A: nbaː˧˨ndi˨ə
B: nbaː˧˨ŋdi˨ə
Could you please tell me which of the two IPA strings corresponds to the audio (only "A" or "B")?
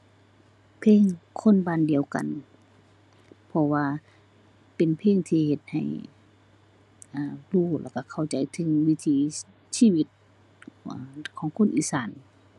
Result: A